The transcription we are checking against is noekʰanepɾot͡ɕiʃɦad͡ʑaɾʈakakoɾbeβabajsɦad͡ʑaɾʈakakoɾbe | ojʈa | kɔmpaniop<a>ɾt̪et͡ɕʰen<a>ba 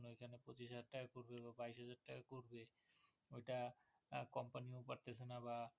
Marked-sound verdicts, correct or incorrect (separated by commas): correct, correct